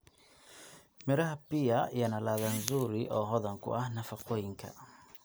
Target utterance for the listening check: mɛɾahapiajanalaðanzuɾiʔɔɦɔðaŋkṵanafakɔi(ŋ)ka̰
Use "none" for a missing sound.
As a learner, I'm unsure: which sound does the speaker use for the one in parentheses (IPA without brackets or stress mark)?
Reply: ŋ